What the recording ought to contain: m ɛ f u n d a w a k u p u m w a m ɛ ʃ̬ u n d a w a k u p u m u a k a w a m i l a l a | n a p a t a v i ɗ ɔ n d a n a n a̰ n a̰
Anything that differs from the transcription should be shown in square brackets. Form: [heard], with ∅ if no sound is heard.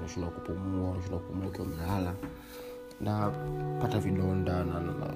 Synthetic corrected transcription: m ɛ [ʃ] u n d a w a k u p u m [u] a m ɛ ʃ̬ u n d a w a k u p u m u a k [i] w a m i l a l a | n a p a t a v i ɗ ɔ n d a n a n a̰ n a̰